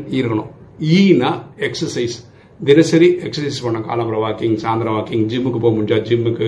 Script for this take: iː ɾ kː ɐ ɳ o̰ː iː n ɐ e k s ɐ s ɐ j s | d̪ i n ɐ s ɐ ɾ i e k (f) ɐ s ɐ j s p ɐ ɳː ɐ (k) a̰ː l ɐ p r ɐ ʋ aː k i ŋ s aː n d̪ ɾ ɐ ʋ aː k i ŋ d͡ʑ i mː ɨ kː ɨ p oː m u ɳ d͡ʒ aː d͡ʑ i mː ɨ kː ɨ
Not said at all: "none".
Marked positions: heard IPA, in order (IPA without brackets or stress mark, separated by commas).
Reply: s, k